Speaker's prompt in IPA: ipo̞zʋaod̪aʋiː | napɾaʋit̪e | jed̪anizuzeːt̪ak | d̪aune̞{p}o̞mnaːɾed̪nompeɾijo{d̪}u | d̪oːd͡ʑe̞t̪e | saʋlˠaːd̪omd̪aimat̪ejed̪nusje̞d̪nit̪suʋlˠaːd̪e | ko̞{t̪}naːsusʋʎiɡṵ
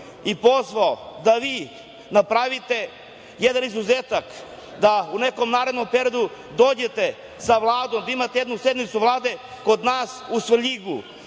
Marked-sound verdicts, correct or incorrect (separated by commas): incorrect, correct, incorrect